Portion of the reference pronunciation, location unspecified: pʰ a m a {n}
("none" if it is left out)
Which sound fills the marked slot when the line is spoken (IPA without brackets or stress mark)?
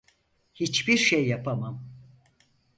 m